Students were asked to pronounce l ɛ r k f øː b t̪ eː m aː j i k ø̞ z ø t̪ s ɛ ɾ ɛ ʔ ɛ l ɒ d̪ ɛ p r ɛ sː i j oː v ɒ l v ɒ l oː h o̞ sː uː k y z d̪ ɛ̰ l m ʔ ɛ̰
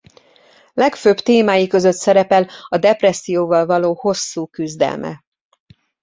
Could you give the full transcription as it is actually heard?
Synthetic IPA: l ɛ k f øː b t̪ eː m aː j i k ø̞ z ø t̪ s ɛ ɾ ɛ p ɛ l ɒ d̪ ɛ p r ɛ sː i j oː v ɒ l v ɒ l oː h o̞ sː uː k y z d̪ ɛ̰ l m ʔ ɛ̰